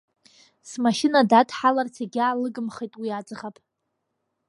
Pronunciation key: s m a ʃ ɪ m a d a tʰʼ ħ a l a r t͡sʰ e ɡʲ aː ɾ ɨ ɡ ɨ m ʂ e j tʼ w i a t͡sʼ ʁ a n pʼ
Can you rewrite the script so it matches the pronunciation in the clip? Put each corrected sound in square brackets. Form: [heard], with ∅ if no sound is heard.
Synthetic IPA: s m a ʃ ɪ [n] a d a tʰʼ ħ a l a r t͡sʰ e ɡʲ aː [l] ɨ ɡ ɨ m [χ] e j tʼ w i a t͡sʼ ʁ a [∅] pʼ